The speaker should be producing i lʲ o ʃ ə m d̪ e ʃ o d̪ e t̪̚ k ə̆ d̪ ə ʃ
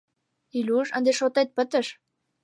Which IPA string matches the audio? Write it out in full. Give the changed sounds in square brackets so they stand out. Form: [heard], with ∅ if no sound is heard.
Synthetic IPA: i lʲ [u] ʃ ə [n] d̪ e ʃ o [t̪] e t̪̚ [p] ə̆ [t̪] ə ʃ